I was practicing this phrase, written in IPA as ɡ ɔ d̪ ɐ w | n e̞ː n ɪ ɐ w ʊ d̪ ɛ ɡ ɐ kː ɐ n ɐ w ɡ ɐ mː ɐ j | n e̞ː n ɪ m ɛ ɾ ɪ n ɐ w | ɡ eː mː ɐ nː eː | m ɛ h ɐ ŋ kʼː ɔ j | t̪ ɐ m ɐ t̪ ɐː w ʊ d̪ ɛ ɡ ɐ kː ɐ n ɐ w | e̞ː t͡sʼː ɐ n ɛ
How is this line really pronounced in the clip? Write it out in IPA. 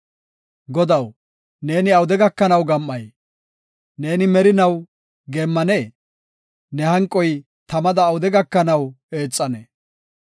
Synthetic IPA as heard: ɡ ɔ d̪ ɐ w | n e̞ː n ɪ ɐ w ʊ d̪ ɛ ɡ ɐ kː ɐ n ɐ w ɡ ɐ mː ɐ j | n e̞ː n ɪ m ɛ ɾ ɪ n ɐ w | ɡ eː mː ɐ n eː | n ɛ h ɐ ŋ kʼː ɔ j | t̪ ɐ m ɐ d̪ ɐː w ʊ d̪ ɛ ɡ ɐ kː ɐ n ɐ w | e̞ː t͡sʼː ɐ n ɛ

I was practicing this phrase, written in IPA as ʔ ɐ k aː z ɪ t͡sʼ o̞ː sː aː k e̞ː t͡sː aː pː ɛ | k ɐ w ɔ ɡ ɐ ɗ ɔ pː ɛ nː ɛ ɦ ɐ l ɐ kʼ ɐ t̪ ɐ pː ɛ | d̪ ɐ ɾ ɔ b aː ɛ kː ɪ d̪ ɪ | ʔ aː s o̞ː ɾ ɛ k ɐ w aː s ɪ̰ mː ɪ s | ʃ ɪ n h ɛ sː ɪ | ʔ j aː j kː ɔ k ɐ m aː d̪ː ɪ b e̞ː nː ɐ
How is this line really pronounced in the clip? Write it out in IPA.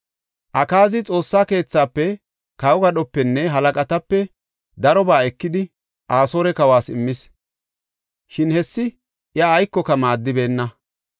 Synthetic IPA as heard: ʔ ɐ k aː z ɪ t͡sʼ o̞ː sː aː k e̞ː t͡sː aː pː ɛ | k ɐ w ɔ ɡ ɐ ɗ ɔ pː ɛ nː ɛ ɦ ɐ l ɐ kʼ ɐ t̪ ɐ pː ɛ | d̪ ɐ ɾ ɔ b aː ɛ kː ɪ d̪ ɪ | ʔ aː s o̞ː ɾ ɛ k ɐ w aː s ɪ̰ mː ɪ s | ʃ ɪ n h ɛ sː ɪ | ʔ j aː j kː ɔ k ɐ m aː d̪ː ɪ b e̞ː nː ɐ

